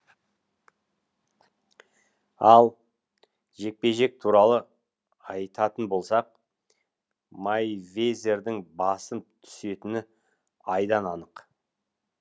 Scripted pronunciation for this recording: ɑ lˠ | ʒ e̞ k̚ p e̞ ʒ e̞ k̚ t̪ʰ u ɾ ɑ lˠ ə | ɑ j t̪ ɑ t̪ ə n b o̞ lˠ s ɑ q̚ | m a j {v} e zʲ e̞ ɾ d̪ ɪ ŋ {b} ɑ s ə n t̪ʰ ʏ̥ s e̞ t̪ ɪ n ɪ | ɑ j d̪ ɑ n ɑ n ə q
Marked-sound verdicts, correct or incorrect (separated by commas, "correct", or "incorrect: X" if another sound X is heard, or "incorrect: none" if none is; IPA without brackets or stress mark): correct, correct